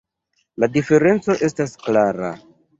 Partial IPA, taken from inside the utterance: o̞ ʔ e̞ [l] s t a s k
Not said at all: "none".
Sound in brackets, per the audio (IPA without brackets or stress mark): none